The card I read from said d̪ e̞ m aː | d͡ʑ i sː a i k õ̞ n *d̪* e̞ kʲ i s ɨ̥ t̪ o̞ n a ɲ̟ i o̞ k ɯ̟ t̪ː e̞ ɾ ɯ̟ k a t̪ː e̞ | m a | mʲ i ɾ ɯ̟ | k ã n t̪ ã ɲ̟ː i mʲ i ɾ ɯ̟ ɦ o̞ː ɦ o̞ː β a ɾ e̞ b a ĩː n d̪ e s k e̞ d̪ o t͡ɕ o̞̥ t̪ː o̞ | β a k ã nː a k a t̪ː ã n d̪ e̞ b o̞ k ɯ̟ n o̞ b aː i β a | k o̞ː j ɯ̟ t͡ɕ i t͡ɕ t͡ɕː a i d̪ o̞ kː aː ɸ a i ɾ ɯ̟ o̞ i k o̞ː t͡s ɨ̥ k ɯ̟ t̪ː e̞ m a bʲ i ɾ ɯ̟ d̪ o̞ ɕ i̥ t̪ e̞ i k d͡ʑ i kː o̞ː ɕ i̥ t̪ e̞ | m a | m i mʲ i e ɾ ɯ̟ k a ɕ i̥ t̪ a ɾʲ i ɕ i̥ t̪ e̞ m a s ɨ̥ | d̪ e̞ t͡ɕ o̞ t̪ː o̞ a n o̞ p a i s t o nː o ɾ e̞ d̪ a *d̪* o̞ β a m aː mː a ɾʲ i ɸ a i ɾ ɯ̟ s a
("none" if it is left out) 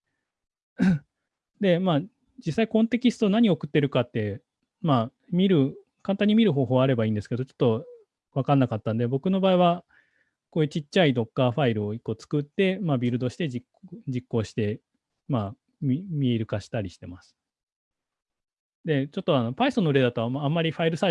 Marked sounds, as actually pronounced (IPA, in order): t̪, t̪

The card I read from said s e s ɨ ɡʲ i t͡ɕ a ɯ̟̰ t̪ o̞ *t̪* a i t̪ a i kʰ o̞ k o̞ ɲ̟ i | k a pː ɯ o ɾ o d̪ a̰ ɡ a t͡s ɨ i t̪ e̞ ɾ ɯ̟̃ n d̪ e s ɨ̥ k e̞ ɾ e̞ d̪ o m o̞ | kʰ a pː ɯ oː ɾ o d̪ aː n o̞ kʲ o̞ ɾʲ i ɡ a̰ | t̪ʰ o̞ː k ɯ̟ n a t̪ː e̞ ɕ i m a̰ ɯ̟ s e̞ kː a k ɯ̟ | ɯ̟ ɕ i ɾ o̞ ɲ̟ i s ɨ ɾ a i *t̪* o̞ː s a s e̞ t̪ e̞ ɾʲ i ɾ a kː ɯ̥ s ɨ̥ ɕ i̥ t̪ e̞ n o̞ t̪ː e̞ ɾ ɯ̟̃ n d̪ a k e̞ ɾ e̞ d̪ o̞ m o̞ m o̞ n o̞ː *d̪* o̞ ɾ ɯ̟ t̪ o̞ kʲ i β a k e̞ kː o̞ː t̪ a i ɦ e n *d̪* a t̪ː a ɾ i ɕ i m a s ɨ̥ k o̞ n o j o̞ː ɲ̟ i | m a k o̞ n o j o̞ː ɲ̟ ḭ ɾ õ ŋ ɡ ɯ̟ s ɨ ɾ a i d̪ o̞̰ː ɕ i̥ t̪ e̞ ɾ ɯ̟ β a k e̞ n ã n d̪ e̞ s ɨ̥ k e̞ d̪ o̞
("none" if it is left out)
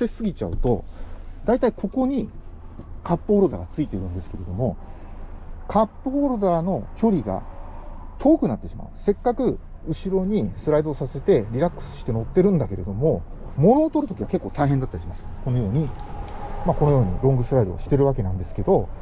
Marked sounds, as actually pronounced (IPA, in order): d̪, d̪, t̪, d̪

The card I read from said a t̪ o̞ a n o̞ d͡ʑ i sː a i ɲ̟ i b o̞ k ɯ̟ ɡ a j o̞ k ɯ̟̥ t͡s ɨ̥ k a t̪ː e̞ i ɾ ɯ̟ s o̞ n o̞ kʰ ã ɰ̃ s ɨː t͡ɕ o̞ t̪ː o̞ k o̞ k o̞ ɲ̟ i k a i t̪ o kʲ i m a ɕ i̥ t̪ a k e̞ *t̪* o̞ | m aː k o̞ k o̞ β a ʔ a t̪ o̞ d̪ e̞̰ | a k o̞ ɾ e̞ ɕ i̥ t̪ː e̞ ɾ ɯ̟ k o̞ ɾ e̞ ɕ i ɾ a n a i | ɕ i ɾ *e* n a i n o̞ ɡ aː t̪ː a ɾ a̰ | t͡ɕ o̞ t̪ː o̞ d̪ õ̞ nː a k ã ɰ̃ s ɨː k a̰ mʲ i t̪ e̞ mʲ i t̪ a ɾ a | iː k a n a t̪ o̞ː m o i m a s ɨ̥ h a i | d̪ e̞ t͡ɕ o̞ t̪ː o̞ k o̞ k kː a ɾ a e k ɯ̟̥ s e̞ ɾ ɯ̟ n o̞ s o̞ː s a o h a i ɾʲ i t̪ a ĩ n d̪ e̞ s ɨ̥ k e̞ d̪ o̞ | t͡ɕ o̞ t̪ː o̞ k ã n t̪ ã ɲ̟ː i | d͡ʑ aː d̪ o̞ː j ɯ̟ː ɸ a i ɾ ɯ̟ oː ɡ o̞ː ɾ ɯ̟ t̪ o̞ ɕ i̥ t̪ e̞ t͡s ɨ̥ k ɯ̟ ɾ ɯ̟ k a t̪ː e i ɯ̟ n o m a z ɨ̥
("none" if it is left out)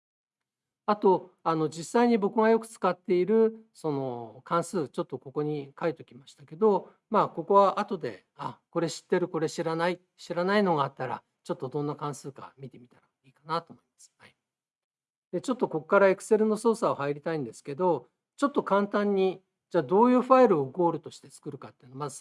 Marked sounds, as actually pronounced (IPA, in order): d̪, a

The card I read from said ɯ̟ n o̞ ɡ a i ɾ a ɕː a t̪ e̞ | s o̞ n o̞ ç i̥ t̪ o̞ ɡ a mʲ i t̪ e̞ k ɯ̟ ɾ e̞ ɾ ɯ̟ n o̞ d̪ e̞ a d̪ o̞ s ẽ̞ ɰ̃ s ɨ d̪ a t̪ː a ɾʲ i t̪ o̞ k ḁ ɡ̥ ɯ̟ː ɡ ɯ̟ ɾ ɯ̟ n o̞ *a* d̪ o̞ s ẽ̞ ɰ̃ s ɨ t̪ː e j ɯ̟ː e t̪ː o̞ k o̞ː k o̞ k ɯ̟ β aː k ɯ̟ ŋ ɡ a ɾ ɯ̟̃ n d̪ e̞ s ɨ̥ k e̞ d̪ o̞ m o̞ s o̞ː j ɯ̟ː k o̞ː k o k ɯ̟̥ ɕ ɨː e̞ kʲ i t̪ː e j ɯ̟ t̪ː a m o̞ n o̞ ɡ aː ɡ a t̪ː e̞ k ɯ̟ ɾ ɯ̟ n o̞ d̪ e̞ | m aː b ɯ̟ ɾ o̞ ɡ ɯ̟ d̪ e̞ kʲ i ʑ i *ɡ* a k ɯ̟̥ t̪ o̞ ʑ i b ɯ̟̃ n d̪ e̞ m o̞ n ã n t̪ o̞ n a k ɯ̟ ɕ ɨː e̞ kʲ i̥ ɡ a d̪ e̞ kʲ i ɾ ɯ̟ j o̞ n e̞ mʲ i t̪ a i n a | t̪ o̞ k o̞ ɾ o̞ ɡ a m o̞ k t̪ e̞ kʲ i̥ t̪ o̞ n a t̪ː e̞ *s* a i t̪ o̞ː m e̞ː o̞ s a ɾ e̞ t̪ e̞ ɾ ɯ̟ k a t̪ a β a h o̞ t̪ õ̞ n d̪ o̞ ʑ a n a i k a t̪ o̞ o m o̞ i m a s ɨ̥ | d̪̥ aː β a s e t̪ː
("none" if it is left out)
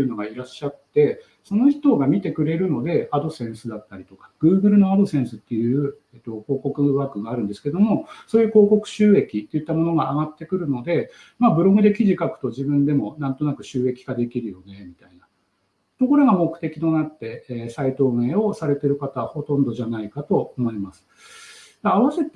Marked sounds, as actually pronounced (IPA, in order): a, k, s

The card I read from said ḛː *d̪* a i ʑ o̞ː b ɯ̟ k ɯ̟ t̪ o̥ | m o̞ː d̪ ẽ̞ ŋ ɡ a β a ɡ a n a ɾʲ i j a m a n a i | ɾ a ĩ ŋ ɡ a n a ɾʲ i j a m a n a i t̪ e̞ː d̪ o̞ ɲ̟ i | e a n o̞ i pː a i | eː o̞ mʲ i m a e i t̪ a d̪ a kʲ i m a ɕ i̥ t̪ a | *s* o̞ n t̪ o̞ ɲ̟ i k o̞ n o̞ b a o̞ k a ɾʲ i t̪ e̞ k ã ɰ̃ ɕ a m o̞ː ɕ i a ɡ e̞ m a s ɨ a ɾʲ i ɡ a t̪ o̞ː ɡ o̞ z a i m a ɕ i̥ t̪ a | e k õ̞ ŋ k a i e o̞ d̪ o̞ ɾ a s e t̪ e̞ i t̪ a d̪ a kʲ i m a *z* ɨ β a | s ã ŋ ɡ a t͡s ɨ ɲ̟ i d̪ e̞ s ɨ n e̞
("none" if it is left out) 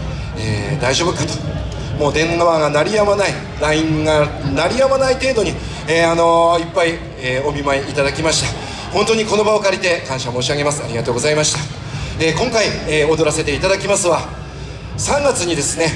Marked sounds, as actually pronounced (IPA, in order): d̪, h, s

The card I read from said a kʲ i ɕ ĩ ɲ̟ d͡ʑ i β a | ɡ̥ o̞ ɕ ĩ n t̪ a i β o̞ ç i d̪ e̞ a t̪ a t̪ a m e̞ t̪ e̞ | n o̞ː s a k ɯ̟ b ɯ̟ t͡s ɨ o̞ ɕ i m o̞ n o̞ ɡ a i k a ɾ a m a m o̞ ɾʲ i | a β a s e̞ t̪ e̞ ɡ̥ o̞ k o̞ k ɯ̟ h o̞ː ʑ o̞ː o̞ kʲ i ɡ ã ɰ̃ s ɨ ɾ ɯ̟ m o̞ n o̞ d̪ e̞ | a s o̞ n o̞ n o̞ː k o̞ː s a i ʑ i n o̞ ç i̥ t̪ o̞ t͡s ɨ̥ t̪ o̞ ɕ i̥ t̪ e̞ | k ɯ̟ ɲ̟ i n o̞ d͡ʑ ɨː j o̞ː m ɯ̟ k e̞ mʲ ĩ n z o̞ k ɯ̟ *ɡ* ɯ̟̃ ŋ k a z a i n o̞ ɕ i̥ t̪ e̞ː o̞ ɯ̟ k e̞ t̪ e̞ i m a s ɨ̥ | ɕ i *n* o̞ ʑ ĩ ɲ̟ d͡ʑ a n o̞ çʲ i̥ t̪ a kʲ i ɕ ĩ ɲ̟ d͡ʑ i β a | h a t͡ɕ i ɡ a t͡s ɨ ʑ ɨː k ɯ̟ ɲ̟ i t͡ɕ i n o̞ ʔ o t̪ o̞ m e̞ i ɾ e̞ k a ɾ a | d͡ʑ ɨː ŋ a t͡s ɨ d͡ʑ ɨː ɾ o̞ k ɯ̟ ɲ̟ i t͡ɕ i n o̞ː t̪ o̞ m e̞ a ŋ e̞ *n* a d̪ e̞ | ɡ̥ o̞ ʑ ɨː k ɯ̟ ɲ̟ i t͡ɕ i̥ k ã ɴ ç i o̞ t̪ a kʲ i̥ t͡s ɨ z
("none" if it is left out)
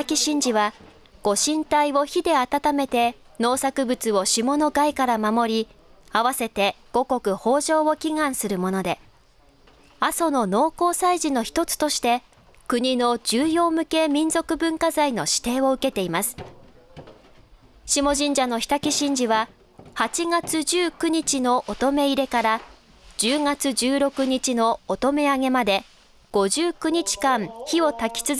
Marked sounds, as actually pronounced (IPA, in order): b, m, m

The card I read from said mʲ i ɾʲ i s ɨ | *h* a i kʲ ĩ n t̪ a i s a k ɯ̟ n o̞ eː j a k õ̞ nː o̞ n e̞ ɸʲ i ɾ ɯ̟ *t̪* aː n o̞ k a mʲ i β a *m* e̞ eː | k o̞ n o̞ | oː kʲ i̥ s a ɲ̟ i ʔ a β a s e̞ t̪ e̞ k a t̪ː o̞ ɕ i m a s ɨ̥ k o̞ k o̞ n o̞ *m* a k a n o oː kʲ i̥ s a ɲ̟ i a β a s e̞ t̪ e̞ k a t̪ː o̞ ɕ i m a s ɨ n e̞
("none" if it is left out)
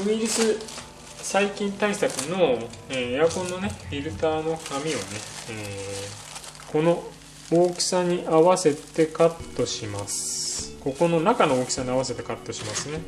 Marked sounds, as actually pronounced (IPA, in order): s, t̪, n, n

